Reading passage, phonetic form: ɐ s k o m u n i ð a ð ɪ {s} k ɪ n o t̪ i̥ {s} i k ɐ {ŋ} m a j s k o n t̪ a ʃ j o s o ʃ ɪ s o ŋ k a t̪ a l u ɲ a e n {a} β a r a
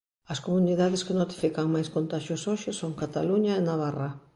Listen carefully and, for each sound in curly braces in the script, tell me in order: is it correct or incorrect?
correct, incorrect: f, correct, correct

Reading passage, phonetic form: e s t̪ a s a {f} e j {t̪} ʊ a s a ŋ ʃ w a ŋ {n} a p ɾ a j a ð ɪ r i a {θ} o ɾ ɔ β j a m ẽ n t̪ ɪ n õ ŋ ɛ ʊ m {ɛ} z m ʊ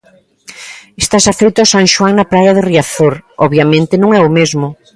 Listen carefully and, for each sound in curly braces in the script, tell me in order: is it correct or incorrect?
correct, correct, correct, correct, incorrect: e

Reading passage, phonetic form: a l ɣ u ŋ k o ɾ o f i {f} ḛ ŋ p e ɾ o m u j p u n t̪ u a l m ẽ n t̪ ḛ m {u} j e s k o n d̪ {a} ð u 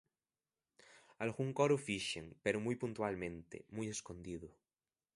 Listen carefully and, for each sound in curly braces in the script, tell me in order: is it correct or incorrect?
incorrect: ʃ, correct, incorrect: i

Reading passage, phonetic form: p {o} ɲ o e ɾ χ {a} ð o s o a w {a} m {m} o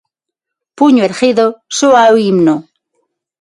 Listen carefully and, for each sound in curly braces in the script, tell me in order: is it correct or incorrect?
incorrect: u, incorrect: i, incorrect: i, incorrect: n

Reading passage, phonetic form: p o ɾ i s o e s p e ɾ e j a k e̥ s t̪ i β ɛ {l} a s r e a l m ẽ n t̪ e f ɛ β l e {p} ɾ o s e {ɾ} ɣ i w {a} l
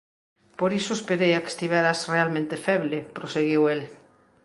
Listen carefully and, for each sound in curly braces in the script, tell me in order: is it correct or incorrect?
incorrect: ɾ, correct, incorrect: none, incorrect: e

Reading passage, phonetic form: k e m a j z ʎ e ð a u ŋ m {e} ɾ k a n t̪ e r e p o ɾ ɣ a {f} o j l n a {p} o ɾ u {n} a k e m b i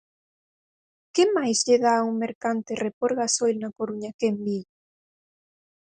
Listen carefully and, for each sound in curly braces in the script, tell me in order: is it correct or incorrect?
correct, incorrect: s, incorrect: k, incorrect: ɲ

